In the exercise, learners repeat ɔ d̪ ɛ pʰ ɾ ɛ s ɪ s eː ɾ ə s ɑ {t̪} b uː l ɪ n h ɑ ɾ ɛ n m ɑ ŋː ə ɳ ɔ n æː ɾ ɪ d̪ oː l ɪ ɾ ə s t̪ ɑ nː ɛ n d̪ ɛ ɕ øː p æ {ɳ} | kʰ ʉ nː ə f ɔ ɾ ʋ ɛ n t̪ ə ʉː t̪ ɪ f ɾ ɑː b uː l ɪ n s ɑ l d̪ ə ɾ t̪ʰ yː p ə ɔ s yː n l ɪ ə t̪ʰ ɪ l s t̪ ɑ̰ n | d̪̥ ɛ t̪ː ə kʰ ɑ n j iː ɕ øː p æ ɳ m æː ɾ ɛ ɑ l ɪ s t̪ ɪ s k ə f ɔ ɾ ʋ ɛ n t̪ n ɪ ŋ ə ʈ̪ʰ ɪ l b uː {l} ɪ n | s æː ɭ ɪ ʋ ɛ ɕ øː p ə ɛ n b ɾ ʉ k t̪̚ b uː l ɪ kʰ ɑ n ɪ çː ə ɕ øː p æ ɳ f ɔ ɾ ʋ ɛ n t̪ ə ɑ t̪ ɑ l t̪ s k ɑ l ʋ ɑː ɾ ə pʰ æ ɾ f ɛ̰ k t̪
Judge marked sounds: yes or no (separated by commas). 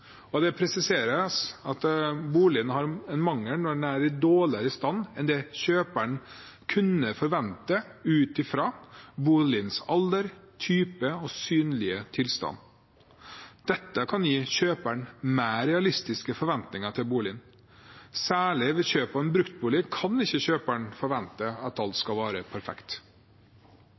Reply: yes, yes, yes